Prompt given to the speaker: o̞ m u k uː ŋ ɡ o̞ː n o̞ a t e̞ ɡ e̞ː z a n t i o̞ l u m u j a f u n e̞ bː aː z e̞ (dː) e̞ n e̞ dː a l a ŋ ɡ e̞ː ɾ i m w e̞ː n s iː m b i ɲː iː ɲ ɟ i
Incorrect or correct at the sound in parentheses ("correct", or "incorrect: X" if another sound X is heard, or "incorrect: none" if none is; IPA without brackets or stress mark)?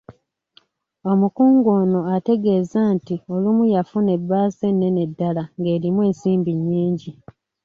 incorrect: nː